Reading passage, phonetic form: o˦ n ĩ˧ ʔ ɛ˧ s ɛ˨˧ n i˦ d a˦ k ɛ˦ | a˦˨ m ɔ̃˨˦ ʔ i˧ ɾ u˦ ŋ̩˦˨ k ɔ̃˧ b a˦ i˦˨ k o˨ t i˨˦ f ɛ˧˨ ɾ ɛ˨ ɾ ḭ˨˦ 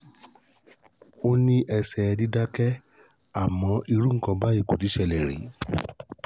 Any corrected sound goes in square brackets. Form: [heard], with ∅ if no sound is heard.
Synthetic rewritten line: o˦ n ĩ˧ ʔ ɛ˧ s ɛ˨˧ [d] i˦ d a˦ k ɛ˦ | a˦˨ m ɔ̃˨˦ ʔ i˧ ɾ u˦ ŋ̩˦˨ k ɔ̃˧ b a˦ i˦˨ k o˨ t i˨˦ [ʃ] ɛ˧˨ [l] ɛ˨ ɾ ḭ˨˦